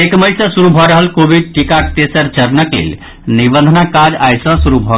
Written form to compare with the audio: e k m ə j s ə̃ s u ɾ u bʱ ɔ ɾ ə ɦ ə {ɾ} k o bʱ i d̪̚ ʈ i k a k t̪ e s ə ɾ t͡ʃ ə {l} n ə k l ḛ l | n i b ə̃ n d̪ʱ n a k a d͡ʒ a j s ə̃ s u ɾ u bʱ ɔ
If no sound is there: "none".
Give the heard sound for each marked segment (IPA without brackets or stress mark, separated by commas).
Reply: l, ɾ